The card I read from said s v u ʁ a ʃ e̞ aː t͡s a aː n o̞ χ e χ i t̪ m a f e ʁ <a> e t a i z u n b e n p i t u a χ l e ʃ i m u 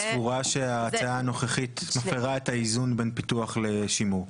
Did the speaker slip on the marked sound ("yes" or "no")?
no